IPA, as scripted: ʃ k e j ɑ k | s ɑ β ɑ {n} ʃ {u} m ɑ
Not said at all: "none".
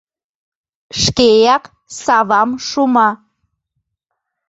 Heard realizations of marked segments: m, u

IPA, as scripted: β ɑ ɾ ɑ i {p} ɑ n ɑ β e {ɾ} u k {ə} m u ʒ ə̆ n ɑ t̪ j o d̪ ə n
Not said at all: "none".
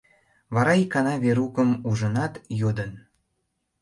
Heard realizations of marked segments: k, ɾ, ə

